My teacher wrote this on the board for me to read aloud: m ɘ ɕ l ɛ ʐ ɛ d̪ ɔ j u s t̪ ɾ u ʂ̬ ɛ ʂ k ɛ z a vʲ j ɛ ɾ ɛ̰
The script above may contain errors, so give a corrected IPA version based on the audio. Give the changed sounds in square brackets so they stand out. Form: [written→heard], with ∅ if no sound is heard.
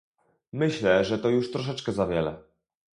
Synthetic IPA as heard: m ɘ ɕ l ɛ ʐ ɛ [d̪→t̪] ɔ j u [s→ʂ] t̪ ɾ [u→ɔ] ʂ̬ ɛ [ʂ→t͡ʂ] k ɛ z a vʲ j ɛ [ɾ→l] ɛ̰